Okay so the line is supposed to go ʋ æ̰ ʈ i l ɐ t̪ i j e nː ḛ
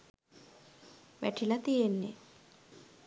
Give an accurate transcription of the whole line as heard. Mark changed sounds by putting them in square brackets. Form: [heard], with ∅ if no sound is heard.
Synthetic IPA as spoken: ʋ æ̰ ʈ i l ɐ t̪ i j e nː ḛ